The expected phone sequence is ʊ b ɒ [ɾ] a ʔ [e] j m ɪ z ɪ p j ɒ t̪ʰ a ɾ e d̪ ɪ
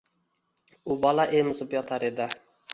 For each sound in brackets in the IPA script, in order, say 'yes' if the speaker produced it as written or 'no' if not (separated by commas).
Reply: no, yes